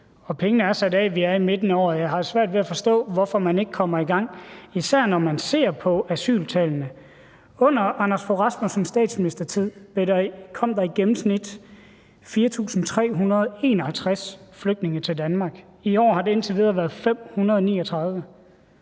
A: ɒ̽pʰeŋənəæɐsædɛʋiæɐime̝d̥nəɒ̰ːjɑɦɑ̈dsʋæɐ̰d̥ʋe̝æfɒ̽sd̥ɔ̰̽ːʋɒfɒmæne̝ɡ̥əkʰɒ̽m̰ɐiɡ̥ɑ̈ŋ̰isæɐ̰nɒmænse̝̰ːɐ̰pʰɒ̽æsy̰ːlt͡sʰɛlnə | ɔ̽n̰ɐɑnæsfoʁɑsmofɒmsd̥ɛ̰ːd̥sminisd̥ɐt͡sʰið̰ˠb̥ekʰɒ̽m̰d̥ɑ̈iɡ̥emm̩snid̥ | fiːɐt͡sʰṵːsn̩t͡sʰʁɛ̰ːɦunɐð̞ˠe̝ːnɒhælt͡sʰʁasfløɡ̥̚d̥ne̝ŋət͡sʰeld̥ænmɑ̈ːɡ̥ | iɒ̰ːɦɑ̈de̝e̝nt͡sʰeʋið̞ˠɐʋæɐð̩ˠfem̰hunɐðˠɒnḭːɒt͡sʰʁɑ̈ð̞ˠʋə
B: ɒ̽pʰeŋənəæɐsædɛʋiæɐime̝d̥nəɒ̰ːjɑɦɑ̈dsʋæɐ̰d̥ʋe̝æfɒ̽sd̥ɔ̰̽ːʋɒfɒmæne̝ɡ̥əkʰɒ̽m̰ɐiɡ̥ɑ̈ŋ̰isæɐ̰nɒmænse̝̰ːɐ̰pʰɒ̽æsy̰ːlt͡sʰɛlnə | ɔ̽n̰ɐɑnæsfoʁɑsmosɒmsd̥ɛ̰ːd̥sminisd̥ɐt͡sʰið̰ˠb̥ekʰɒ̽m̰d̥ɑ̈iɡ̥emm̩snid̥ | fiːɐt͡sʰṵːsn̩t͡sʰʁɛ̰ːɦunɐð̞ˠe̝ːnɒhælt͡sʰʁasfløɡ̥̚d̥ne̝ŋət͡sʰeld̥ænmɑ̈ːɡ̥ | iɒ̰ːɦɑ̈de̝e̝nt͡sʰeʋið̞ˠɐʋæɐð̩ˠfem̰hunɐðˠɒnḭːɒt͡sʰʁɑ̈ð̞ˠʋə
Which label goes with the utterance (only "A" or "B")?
B